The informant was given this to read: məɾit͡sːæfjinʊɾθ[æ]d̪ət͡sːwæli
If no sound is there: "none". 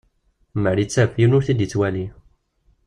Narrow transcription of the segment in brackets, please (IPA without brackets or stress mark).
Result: i